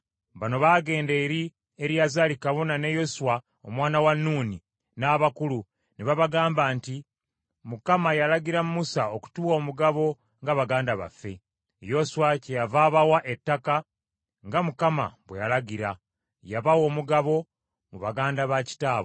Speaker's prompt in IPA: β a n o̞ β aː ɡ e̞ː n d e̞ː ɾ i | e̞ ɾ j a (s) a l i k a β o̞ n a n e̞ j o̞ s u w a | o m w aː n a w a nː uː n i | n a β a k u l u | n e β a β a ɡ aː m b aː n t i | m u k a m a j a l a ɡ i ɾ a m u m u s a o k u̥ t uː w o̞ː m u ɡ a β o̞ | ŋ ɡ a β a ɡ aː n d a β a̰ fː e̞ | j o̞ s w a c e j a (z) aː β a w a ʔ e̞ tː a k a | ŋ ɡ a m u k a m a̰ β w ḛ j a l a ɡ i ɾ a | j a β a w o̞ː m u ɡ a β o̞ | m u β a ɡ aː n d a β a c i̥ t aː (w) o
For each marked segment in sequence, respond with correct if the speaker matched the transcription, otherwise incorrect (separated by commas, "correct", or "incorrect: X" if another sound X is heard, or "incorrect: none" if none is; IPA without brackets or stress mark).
incorrect: z, incorrect: v, incorrect: β